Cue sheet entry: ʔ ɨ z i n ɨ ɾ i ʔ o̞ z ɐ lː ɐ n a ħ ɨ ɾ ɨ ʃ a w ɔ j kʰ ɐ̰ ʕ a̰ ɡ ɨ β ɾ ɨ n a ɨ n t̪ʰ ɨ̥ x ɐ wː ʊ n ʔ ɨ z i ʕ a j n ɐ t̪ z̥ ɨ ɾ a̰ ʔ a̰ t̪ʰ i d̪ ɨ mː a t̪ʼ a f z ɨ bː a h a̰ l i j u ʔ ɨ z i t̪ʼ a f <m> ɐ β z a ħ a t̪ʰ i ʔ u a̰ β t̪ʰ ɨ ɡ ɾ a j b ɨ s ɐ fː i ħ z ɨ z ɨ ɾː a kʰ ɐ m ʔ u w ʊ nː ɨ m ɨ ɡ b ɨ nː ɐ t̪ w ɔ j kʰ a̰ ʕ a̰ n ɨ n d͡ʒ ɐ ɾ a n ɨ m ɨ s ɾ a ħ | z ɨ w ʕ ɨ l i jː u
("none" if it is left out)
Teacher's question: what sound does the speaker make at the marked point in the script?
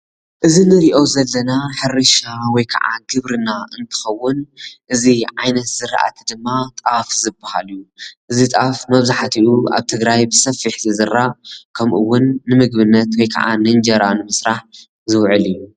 m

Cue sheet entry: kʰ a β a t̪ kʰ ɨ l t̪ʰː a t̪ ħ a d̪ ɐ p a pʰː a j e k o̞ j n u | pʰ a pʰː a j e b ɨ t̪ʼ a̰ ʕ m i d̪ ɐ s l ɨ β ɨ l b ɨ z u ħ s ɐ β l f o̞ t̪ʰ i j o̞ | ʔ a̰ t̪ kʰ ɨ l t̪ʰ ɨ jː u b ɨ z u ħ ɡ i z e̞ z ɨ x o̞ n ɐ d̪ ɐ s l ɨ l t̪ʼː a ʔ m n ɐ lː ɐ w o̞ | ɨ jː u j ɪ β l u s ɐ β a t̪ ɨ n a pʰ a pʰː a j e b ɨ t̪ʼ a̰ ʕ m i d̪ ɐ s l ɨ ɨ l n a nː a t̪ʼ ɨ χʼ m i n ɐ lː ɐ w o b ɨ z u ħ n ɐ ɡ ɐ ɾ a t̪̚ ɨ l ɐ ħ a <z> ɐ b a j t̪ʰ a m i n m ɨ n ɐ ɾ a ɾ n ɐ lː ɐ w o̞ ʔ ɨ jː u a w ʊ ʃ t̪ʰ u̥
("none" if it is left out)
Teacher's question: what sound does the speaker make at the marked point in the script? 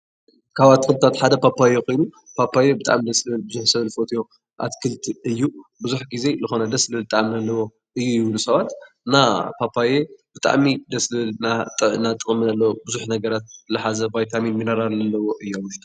z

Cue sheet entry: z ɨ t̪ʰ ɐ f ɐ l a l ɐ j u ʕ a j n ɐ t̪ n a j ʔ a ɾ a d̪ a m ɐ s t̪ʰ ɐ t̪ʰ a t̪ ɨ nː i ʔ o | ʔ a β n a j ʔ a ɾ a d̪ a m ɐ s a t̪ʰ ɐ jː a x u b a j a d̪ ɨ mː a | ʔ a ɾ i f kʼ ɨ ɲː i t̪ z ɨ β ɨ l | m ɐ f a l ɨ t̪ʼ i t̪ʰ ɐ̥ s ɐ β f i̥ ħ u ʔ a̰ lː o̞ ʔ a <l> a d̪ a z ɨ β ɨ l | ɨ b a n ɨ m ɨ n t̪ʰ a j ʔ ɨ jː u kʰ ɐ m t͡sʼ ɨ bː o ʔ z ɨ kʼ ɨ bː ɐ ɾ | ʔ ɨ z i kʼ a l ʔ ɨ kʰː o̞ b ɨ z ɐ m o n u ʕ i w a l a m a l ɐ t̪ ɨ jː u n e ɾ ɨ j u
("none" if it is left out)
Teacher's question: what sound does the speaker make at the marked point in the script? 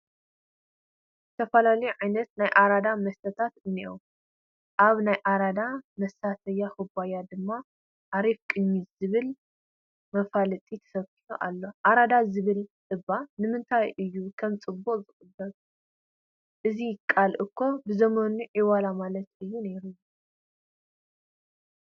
ɾ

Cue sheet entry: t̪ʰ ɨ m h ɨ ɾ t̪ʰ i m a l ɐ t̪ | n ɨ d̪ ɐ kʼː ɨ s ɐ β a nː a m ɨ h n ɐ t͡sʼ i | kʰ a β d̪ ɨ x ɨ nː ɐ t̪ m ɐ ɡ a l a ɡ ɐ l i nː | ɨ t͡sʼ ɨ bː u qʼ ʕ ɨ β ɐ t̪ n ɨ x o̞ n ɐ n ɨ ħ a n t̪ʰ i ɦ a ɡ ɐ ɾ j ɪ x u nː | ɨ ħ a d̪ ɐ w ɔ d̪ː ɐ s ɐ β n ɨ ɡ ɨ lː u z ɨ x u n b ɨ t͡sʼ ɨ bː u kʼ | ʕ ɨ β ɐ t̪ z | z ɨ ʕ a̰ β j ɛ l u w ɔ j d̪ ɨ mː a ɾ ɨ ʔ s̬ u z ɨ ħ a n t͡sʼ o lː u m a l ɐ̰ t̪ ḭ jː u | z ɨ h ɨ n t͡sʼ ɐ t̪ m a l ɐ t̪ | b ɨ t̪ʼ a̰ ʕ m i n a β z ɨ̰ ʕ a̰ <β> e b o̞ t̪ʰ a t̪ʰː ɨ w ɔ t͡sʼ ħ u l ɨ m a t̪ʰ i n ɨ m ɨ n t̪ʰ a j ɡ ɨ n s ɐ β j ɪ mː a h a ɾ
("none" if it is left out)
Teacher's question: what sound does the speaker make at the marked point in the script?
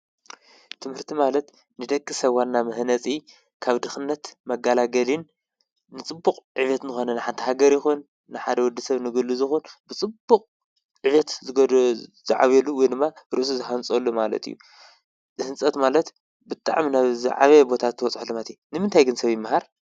β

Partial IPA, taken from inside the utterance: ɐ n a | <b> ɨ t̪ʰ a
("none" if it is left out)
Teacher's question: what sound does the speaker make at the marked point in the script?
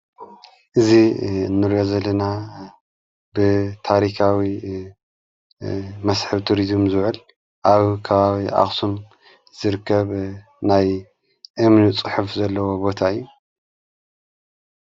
b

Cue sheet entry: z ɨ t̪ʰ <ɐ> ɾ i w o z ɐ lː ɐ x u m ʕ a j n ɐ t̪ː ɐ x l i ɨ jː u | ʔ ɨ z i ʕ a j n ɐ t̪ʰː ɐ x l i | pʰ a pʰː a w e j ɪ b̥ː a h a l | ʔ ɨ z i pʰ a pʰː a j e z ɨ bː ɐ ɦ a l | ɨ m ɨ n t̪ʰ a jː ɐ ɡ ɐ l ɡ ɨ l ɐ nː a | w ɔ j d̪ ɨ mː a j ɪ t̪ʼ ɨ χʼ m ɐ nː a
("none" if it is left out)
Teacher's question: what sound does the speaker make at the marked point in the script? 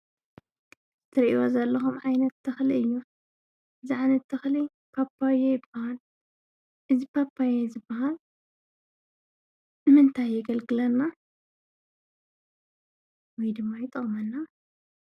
ɐ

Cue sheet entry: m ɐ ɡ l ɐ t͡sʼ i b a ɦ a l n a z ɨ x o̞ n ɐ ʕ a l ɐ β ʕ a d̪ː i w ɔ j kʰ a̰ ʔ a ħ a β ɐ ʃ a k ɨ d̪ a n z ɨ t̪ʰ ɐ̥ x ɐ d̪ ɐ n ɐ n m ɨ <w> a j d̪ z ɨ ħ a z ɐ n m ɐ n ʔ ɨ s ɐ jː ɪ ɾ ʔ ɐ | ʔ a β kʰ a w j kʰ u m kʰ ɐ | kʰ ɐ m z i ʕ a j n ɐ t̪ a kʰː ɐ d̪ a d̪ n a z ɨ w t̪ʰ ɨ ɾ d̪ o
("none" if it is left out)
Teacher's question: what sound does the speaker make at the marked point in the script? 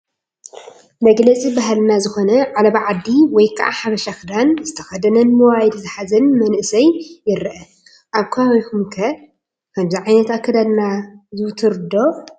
w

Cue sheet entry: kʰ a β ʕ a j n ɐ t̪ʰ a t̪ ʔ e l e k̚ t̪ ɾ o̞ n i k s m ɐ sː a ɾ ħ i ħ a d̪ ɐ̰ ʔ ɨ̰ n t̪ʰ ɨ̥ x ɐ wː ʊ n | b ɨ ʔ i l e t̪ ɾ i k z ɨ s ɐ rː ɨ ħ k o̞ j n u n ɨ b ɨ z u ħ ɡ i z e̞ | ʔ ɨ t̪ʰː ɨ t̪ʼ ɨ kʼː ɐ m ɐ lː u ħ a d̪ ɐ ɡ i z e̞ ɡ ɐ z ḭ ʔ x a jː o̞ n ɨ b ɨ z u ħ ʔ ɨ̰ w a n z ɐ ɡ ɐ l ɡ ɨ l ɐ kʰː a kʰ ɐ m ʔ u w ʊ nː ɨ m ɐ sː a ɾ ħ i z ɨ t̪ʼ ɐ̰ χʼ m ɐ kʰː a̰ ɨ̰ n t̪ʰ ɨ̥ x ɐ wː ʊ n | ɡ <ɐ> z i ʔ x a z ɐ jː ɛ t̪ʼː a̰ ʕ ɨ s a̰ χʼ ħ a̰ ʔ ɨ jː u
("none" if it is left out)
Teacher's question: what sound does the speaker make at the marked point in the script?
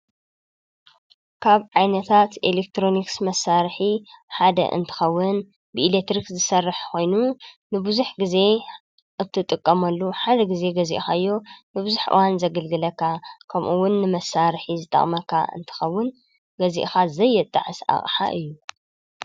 ɐ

